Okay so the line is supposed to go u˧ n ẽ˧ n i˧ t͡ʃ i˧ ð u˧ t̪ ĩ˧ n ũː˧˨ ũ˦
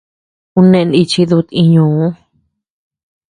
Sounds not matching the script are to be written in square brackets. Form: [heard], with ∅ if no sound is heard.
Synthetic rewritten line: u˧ n ẽ˧ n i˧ t͡ʃ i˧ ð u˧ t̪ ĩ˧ [ɲ] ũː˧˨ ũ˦